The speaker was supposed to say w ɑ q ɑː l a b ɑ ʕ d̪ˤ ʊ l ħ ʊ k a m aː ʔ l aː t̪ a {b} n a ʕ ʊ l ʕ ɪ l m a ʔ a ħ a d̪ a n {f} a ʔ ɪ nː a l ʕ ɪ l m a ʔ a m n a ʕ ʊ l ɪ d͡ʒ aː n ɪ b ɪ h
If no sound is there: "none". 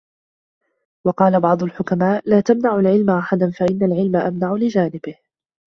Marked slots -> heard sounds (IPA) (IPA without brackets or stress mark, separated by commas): m, f